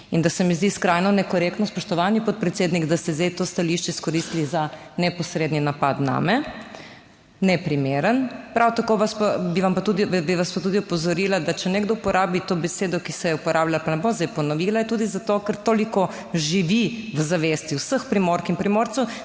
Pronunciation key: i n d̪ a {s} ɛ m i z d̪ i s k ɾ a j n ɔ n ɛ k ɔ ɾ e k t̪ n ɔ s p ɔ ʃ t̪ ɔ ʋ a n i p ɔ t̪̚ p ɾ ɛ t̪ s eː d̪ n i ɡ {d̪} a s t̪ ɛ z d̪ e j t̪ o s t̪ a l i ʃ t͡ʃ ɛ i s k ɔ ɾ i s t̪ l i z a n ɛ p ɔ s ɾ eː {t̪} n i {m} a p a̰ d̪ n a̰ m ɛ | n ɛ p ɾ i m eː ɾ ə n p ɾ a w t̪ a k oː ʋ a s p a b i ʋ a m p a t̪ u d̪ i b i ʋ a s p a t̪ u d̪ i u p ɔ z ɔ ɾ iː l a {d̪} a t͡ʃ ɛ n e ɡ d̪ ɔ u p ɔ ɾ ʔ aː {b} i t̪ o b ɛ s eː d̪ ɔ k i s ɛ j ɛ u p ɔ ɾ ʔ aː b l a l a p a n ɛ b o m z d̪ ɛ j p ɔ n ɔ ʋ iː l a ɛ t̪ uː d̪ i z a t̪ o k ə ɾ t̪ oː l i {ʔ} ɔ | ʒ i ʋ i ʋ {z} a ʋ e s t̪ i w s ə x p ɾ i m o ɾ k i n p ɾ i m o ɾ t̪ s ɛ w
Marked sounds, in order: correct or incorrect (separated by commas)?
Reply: correct, correct, incorrect, incorrect, correct, correct, incorrect, correct